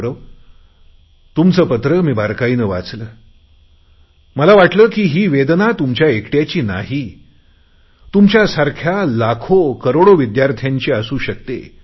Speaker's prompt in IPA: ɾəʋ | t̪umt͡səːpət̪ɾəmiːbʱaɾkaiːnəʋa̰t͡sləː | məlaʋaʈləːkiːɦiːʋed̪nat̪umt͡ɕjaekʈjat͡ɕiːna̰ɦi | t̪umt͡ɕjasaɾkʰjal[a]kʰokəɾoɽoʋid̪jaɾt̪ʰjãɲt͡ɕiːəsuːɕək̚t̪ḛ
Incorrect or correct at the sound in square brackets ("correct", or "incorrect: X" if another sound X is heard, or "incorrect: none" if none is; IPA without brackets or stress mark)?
correct